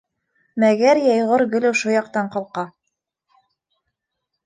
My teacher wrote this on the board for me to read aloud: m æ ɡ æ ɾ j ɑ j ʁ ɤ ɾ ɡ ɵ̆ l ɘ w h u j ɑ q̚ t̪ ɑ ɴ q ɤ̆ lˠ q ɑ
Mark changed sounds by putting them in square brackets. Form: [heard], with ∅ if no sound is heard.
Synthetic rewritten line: m æ ɡ æ ɾ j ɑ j ʁ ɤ ɾ ɡ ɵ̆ l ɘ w [ʃ] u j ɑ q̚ t̪ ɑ ɴ q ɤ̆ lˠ q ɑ